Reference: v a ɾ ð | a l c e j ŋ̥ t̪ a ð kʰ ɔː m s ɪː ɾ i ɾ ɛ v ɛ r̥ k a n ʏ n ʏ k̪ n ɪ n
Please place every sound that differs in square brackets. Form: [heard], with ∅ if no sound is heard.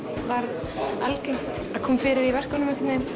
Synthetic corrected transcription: v a ɾ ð | a l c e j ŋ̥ t̪ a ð kʰ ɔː m [f] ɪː ɾ [ɪ] ɾ [i] v ɛ r̥ k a n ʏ [m] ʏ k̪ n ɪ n

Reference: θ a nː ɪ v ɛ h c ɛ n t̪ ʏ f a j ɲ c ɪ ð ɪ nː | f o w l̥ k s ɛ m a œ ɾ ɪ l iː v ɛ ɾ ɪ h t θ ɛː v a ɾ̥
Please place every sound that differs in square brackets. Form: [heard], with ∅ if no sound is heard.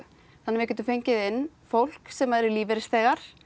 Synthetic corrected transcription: θ a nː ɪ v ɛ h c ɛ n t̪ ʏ f [e] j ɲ c ɪ ð ɪ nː | f o w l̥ k s ɛ m a [ɛ] ɾ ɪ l iː v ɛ ɾ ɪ [s] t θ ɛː [ɣ] a ɾ̥

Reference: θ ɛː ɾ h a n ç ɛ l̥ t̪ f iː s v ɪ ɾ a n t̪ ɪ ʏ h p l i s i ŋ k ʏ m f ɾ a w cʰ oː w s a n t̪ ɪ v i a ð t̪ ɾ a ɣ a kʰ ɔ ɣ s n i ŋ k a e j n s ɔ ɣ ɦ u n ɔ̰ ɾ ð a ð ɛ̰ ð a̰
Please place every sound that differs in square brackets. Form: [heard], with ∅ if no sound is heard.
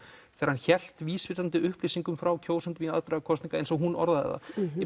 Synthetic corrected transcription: θ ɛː ɾ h a n ç ɛ l̥ t̪ [v] iː s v ɪ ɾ a n t̪ ɪ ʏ h p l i s i ŋ k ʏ m f ɾ a w cʰ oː w s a n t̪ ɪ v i a ð t̪ ɾ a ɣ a kʰ ɔ [∅] s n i ŋ k a e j n s ɔ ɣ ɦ u n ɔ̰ ɾ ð a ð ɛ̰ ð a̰

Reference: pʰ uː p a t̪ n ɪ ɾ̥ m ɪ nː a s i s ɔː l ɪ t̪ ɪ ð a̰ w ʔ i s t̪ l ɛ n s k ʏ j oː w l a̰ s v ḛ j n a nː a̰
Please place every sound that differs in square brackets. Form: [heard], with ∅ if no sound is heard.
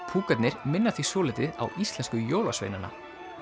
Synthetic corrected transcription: pʰ uː [k] a t̪ n ɪ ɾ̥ m ɪ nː a [θ] i s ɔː l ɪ t̪ ɪ ð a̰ w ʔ i s t̪ l ɛ n s k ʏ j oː w l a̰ s v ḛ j n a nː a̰

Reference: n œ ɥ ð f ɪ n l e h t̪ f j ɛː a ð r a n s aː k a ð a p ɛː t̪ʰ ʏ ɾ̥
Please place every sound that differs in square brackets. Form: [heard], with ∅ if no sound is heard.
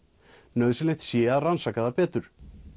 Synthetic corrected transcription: n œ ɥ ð [s] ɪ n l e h t̪ [s] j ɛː a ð r a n s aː k a ð a p ɛː [t̪] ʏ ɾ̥

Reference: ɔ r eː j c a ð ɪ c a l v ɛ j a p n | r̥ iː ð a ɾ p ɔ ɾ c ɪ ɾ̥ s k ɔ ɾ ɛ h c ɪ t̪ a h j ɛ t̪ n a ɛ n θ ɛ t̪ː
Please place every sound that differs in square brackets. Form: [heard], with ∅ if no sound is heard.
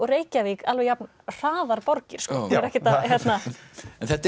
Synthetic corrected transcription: ɔ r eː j c a [v] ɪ [k] a l v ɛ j a p n | r̥ [aː] ð a ɾ p ɔ ɾ c ɪ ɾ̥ s k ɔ ɾ ɛ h c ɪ t̪ a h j ɛ t̪ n a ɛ n θ ɛ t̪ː

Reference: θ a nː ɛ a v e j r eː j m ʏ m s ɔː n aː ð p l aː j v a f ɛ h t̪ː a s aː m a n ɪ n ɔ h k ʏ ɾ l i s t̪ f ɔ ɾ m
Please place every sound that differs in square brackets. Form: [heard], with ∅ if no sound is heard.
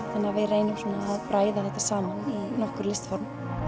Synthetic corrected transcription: θ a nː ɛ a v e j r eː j [n] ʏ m s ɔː n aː ð p [ɾ] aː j [ð] a [θ] ɛ h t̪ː a s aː m a n [i] n ɔ h k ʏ ɾ l [ɪ] s t̪ f ɔ ɾ m

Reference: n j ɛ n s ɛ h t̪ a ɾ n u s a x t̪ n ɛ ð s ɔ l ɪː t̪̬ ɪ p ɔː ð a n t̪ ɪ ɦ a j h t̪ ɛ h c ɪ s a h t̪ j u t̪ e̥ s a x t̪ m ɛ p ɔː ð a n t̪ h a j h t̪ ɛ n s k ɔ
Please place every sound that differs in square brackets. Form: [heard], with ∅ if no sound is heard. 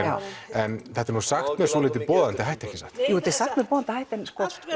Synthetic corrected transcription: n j ɛ n [θ] ɛ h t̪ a ɾ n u s a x t̪ [m] ɛ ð s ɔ l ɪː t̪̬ ɪ p ɔː ð a n t̪ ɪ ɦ a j h t̪ ɛ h c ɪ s a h t̪ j u t̪ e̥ s a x t̪ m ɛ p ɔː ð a n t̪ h a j h t̪ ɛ n s k ɔ

